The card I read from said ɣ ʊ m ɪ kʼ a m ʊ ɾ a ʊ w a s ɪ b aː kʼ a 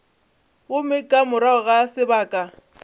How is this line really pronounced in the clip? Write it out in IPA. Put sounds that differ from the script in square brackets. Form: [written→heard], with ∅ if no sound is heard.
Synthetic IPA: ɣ ʊ m ɪ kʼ a m ʊ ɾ a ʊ [w→ɣ] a s ɪ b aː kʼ a